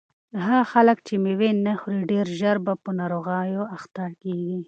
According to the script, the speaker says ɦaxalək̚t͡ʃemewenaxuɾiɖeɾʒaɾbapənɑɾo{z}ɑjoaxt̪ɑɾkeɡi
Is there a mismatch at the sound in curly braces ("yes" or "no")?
yes